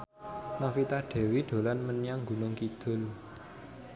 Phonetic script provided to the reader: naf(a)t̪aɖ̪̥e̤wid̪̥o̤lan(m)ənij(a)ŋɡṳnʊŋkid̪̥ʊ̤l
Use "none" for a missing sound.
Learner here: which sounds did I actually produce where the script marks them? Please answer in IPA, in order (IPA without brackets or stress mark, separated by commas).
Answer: i, m, a